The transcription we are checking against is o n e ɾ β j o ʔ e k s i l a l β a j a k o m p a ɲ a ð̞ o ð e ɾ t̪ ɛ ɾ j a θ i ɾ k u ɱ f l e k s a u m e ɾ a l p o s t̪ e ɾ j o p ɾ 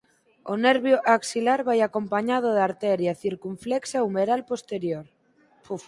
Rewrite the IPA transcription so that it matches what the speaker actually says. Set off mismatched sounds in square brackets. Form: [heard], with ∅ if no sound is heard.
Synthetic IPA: o n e ɾ β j o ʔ [a] k s i l a [ɾ] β a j a k o m p a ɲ a ð̞ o ð [a] ɾ t̪ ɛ ɾ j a θ i ɾ k u ɱ f l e k s a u m e ɾ a l p o s t̪ e ɾ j o [∅] ɾ